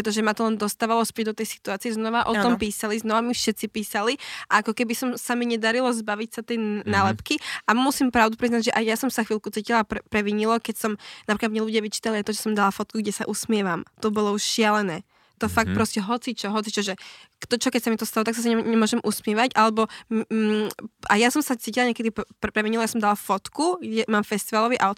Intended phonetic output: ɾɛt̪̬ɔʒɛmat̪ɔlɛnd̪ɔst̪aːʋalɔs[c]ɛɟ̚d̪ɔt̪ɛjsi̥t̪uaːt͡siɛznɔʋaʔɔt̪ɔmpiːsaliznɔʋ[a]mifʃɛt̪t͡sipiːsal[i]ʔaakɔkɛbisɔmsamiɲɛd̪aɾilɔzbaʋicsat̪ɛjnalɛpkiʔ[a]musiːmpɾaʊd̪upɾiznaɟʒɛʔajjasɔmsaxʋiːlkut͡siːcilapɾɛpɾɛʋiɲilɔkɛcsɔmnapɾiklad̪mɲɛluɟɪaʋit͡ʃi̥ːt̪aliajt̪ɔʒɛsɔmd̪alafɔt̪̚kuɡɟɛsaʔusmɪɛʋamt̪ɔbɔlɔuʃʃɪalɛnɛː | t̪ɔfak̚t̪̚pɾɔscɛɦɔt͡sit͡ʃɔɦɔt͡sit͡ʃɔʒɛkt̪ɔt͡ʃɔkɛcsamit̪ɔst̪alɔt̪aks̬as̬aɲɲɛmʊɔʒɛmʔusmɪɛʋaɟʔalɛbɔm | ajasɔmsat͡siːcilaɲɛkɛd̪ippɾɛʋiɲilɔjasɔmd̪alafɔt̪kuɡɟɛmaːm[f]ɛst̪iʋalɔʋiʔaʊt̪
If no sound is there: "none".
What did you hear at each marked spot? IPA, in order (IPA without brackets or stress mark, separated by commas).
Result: p, a, i, a, f